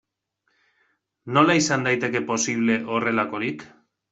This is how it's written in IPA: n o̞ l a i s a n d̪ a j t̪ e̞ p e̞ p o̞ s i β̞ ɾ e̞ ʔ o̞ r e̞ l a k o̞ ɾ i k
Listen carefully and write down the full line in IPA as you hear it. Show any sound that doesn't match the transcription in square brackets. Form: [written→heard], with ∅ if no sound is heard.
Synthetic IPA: n o̞ l a i s a n d̪ a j t̪ e̞ [p→k] e̞ p o̞ s i β̞ [ɾ→l] e̞ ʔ o̞ r e̞ l a k o̞ ɾ i k